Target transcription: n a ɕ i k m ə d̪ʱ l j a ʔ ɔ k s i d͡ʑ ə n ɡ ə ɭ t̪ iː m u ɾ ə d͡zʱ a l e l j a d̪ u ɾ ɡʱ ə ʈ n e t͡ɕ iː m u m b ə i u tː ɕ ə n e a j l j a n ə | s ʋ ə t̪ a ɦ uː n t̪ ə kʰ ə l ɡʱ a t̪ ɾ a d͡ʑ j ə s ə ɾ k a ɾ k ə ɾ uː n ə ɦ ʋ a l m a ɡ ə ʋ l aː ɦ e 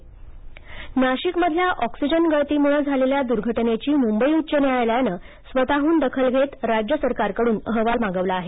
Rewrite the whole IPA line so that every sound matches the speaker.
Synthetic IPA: n a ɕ i k m ə d̪ʱ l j a ʔ ɔ k s i d͡ʑ ə n ɡ ə ɭ t̪ iː m u ɭ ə d͡zʱ a l e l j a d̪ u ɾ ɡʱ ə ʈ n e t͡ɕ iː m u m b ə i u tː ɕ ə n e a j l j a n ə | s ʋ ə t̪ a ɦ uː n d̪ ə kʰ ə l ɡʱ e t̪ ɾ a d͡ʑ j ə s ə ɾ k a ɾ k ə ɽ uː n ə ɦ ʋ a l m a ɡ ə ʋ l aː ɦ e

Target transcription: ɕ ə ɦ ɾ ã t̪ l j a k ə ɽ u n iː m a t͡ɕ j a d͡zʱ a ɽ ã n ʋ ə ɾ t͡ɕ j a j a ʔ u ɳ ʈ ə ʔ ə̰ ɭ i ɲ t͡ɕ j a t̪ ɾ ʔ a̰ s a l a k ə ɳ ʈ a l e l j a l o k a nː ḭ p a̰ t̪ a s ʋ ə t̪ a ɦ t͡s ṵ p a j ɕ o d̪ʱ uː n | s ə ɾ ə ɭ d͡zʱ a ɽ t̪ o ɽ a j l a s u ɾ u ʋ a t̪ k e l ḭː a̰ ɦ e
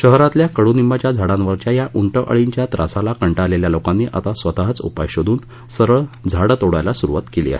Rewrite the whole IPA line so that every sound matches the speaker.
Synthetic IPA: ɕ ə ɦ ɾ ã t̪ l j a k ə ɽ u n i m a t͡ɕ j a d͡zʱ a ɽ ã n ʋ ə ɾ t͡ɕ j a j a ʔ u ɳ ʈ ə ʔ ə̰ ɭ i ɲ t͡ɕ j a t̪ ɾ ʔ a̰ s a l a k ə ɳ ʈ a l e l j a l o k a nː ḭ ʔ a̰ t̪ a s ʋ ə t̪ a ɦ t͡s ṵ p a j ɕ o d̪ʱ uː n | s ə ɾ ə ɭ d͡zʱ a ɽ t̪ o ɽ a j l a s u ɾ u ʋ a t̪ k e l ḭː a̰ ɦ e

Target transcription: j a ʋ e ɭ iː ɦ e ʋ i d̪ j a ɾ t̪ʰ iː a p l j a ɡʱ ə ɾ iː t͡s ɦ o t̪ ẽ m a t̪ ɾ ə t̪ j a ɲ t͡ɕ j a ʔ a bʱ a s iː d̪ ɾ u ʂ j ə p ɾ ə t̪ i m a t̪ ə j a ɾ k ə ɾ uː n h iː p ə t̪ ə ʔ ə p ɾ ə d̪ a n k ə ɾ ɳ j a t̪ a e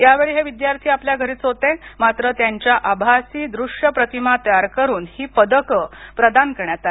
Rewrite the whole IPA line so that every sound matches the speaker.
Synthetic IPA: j a ʋ e ɭ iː ɦ e ʋ i d̪ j a ɾ t̪ʰ iː a p l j a ɡʱ ə ɾ iː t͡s ɦ o t̪ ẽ m a t̪ ɾ ə t̪ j a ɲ t͡ɕ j a ʔ a bʱ a s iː d̪ ɾ u ʂ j ə p ɾ ə t̪ i m a t̪ ə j a ɾ k ə ɾ uː n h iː p ə d̪ ə k ə p ɾ ə d̪ a n k ə ɾ ɳ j a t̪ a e

